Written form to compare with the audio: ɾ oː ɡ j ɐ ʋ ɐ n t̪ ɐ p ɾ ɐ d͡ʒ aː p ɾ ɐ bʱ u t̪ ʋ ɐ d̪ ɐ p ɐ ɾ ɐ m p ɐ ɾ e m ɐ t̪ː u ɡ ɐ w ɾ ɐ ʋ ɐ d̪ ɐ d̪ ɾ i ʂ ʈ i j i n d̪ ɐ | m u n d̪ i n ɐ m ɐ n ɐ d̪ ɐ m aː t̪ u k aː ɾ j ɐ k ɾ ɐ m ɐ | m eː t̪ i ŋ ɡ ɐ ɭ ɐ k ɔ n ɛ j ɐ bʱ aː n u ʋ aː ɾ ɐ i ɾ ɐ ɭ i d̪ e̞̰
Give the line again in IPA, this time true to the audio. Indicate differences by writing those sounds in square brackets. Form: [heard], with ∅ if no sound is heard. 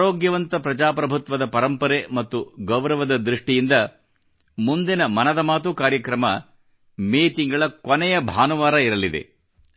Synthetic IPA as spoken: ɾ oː ɡ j ɐ ʋ ɐ n t̪ ɐ p ɾ ɐ d͡ʒ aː p ɾ ɐ bʱ u t̪ ʋ ɐ d̪ ɐ p ɐ ɾ ɐ m p ɐ ɾ e m ɐ t̪ː u ɡ ɐ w ɾ ɐ ʋ ɐ d̪ ɐ d̪ ɾ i ʂ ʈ i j i n d̪ ɐ | m u n d̪ i n ɐ m ɐ n ɐ d̪ ɐ m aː t̪ u k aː ɾ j ɐ k ɾ ɐ m ɐ | m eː t̪ i ŋ ɡ ɐ ɭ ɐ k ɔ n ɛ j ɐ bʱ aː n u ʋ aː ɾ ɐ i ɾ ɐ [l] i d̪ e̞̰